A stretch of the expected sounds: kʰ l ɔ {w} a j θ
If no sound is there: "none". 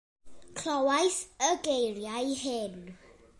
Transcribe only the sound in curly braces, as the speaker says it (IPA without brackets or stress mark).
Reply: w